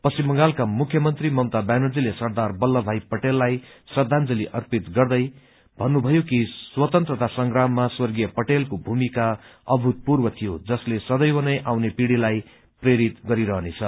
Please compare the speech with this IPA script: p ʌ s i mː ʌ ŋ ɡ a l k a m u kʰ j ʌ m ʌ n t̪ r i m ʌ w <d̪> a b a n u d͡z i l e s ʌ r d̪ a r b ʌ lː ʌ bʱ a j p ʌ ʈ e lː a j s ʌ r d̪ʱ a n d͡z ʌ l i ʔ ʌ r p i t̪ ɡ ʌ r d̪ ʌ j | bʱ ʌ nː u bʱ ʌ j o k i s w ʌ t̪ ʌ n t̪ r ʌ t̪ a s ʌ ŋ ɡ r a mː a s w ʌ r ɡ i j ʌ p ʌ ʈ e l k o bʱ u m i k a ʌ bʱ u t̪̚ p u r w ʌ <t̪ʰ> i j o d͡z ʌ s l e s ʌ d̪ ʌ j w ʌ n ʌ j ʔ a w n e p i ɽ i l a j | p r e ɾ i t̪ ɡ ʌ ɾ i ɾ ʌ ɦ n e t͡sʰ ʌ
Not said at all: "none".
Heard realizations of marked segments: t̪, t̪ʰ

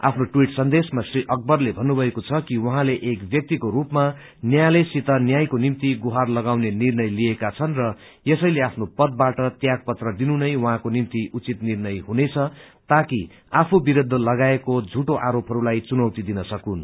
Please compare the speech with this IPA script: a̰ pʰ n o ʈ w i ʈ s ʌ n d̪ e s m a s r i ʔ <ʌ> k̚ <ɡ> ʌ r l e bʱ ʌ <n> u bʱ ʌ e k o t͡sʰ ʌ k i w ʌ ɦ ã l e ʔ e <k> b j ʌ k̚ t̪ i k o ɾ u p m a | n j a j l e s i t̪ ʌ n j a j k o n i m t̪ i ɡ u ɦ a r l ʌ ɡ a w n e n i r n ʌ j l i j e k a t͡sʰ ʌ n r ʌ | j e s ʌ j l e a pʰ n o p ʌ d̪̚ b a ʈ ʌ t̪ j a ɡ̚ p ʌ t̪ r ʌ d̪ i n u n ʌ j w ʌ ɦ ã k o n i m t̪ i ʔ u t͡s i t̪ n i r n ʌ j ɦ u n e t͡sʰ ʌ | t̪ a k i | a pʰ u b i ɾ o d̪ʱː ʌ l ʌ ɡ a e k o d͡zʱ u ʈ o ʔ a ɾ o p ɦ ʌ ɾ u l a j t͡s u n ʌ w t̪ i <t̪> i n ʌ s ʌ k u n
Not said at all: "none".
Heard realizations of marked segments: ʌ, b, nː, k, d̪

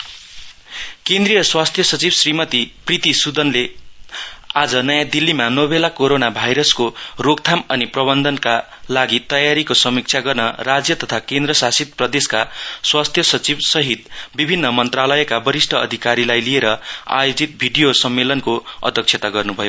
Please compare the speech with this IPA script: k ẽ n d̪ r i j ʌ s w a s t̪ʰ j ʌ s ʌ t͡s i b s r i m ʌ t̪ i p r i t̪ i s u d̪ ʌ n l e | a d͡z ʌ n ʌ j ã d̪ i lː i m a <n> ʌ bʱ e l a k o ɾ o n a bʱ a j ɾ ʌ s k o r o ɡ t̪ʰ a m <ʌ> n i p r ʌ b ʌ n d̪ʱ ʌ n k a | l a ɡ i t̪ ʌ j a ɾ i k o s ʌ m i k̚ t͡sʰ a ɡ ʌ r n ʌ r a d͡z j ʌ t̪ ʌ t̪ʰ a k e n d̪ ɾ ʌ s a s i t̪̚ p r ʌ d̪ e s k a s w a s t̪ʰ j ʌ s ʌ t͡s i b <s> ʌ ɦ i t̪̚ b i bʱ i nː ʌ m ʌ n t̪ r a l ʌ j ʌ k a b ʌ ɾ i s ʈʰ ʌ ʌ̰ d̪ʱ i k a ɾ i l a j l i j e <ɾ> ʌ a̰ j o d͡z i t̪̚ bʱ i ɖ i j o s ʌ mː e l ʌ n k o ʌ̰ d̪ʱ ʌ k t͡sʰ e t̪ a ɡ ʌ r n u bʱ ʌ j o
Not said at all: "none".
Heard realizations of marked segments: n, ʌ, s, ɾ

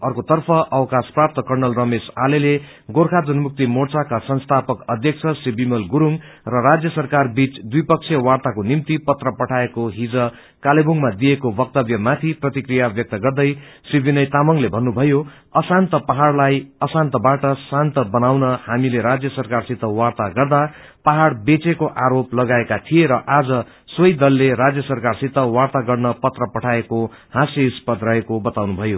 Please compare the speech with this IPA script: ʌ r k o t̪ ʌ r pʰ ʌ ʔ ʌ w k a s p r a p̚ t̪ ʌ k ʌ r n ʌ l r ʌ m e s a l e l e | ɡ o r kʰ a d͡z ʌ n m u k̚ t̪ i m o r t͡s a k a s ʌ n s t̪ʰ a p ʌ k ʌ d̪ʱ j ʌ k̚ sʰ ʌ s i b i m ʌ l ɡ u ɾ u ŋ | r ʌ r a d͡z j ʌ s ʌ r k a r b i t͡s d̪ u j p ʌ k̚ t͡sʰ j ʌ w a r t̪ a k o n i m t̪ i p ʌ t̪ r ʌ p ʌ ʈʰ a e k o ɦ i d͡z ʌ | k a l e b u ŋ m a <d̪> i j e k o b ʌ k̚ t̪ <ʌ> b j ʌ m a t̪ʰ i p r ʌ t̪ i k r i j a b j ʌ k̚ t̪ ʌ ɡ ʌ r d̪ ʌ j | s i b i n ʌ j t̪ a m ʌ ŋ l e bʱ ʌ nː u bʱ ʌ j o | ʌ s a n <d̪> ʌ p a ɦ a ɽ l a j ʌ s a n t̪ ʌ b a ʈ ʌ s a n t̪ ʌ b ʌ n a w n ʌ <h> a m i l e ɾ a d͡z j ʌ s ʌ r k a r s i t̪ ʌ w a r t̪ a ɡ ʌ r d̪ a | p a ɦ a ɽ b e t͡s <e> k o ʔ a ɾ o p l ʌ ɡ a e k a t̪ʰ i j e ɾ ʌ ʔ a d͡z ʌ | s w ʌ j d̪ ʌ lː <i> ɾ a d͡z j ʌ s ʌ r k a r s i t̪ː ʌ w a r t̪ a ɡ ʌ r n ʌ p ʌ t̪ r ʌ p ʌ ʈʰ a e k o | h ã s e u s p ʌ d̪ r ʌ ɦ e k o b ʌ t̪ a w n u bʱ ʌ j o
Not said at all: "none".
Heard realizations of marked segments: d̪, ʌ, t̪, h, e, e

